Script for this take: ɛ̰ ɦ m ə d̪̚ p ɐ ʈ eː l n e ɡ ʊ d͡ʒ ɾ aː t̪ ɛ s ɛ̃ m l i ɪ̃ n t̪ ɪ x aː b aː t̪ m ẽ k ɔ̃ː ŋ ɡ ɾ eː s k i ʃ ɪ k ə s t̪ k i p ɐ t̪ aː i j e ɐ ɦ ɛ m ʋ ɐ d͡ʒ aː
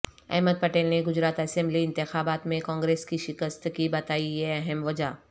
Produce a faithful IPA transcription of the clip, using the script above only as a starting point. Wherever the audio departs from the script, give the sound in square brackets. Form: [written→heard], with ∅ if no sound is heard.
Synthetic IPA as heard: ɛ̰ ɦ m ə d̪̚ p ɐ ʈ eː l n e ɡ ʊ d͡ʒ ɾ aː t̪ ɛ s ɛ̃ m l i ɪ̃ n t̪ ɪ x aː b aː t̪ m ẽ k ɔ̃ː ŋ ɡ ɾ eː s k i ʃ ɪ k ə s t̪ k i [p→b] ɐ t̪ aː i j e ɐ ɦ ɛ m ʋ ɐ d͡ʒ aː